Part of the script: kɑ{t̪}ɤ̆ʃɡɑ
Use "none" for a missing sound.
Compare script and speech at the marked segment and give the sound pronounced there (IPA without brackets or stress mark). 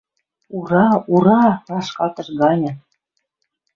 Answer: t̪